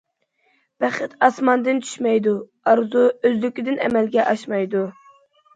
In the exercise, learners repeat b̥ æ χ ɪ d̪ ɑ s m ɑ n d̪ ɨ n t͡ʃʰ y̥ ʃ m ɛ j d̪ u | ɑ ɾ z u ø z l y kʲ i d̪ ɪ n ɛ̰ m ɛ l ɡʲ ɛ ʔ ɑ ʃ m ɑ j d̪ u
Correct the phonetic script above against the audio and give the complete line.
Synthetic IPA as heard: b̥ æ χ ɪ t̪ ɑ s m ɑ n d̪ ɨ n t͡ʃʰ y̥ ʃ m ɛ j d̪ u | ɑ ɾ z u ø z l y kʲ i d̪ ɪ n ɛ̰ m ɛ l ɡʲ ɛ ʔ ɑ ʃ m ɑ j d̪ u